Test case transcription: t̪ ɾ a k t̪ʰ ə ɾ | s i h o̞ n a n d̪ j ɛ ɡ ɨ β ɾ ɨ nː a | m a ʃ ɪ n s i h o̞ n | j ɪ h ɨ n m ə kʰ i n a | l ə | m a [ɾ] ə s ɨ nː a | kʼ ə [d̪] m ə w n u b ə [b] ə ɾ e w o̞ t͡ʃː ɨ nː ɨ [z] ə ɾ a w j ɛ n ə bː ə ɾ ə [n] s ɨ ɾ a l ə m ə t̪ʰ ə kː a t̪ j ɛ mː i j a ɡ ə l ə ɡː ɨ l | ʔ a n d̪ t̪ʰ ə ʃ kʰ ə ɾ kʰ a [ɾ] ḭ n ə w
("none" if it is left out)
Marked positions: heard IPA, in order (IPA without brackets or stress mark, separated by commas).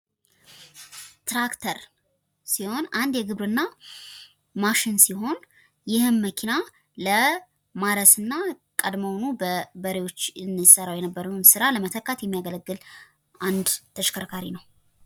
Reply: ɾ, d̪, b, s, n, ɾ